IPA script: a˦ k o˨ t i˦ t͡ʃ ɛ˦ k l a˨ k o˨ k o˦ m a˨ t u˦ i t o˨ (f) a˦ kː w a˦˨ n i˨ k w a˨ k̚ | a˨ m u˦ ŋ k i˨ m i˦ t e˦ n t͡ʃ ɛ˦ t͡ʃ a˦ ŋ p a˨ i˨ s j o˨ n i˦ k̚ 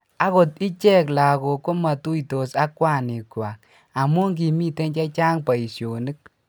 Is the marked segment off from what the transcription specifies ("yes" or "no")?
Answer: yes